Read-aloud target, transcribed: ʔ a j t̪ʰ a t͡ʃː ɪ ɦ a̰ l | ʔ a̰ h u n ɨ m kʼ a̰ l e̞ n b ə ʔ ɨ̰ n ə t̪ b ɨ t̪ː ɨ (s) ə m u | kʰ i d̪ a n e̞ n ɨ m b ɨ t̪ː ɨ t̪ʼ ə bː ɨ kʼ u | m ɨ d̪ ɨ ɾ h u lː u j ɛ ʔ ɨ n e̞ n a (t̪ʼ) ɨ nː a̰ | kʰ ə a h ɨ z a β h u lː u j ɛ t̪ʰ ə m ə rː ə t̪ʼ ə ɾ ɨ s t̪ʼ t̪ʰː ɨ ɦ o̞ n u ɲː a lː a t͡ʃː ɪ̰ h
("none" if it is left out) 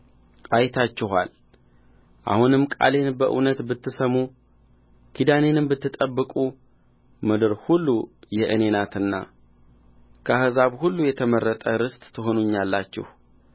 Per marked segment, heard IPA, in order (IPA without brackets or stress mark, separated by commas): s, t̪